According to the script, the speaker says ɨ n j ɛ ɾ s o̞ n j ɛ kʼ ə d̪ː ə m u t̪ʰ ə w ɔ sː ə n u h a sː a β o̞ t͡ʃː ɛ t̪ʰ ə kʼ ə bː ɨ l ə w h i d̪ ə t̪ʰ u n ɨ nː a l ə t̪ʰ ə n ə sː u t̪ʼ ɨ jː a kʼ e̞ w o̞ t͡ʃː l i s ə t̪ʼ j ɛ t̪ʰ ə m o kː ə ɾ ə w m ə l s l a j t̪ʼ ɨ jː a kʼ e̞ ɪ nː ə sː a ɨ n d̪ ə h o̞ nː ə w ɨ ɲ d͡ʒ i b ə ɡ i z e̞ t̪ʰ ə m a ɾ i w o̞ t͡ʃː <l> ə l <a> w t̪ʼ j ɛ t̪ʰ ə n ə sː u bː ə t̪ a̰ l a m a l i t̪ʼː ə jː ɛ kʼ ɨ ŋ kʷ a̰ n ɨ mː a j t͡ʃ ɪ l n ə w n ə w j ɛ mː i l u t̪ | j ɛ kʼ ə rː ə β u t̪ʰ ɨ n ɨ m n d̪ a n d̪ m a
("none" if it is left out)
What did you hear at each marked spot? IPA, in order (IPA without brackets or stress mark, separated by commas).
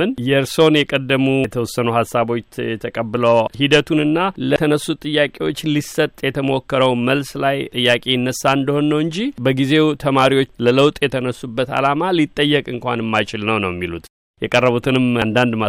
l, ə